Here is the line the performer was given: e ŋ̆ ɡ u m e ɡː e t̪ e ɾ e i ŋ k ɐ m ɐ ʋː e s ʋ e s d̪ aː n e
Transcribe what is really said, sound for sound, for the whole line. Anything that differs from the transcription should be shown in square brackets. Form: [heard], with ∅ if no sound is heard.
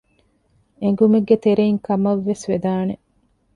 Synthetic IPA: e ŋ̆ ɡ u m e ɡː e t̪ e ɾ e i ŋ k ɐ m ɐ ʋː e s ʋ e [∅] d̪ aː n e